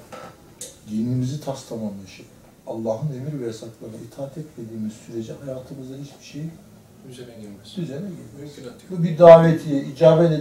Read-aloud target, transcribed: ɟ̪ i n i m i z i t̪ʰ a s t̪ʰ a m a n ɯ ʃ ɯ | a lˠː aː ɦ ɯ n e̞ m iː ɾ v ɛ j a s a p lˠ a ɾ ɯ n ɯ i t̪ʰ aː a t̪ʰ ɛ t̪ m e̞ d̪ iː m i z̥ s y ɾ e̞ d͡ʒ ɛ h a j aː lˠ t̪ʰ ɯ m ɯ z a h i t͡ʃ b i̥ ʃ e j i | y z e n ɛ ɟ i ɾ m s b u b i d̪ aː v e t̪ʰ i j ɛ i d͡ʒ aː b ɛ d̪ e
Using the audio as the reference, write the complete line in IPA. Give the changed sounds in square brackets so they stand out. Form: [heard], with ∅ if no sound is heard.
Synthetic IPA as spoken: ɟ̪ i n i m i z i t̪ʰ a s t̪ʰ a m a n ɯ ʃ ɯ | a lˠː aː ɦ ɯ n e̞ m [i] ɾ v ɛ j a s a [k] lˠ a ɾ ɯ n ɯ i t̪ʰ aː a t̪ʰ ɛ t̪ m e̞ d̪ iː m i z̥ s y ɾ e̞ d͡ʒ ɛ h a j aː [∅] t̪ʰ ɯ m ɯ z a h i t͡ʃ b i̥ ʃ e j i | y z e n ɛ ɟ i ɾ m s b u b i d̪ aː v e t̪ʰ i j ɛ i d͡ʒ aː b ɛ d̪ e